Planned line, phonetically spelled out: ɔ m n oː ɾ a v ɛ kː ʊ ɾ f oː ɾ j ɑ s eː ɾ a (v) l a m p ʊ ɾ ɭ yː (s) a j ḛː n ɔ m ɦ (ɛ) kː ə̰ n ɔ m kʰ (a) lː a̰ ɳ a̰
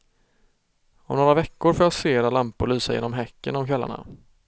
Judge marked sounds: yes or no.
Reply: no, yes, yes, no

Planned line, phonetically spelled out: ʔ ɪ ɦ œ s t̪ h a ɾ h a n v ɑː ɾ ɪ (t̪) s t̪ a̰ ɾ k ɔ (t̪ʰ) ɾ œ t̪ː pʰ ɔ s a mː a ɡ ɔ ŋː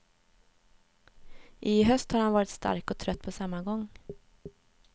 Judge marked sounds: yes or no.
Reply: yes, yes

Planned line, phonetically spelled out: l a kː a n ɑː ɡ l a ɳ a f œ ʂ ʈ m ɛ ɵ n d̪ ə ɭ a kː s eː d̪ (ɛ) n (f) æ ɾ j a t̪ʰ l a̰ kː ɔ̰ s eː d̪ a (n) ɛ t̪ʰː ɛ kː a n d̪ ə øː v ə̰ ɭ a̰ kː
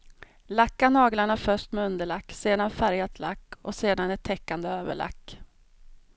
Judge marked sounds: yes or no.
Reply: no, yes, yes

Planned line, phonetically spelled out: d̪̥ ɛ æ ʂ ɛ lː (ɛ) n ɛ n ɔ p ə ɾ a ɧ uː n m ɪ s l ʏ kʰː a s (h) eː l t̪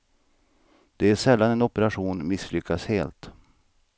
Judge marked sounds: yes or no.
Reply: no, yes

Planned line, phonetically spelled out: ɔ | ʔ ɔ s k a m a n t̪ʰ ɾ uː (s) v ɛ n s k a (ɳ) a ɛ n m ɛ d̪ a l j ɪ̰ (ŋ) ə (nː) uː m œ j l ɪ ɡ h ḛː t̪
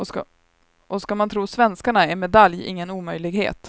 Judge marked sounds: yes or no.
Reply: yes, yes, no, no

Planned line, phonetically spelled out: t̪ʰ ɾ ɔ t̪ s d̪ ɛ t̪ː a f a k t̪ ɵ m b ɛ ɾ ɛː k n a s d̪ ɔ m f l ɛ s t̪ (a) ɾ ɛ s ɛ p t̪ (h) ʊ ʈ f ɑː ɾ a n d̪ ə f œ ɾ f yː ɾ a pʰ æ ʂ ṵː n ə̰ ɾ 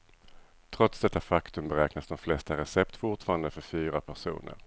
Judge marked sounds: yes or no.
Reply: yes, no

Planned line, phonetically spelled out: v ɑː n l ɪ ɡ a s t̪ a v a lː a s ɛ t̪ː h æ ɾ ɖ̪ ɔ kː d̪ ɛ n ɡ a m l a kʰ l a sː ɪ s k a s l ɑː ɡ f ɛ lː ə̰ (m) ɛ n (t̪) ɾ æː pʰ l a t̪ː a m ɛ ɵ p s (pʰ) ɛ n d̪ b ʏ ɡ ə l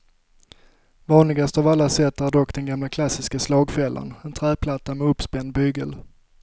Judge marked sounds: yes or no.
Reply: no, no, no

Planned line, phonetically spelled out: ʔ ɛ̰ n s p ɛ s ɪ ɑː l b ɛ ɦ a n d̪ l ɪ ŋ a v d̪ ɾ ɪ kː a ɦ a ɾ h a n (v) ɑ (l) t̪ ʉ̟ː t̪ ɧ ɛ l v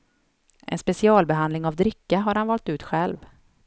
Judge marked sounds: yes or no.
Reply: yes, yes

